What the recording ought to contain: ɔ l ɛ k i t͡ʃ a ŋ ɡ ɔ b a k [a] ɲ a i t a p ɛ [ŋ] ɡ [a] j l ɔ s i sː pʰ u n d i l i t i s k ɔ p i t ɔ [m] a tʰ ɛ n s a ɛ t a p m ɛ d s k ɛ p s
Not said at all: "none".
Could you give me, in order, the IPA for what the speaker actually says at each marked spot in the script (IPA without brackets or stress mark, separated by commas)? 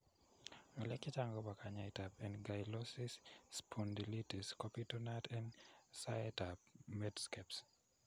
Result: a, n, a, n